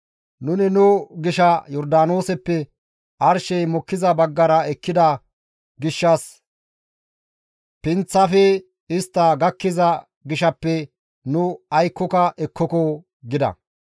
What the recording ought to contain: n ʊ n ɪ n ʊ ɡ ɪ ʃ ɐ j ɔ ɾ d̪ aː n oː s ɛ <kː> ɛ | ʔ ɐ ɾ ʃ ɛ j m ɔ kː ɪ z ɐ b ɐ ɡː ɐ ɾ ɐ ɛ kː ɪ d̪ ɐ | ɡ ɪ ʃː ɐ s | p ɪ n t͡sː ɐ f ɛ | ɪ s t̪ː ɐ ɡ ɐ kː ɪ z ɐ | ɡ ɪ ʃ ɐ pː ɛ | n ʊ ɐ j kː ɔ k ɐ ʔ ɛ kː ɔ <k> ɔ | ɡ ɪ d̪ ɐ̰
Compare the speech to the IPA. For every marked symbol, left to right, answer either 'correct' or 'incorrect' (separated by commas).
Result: incorrect, correct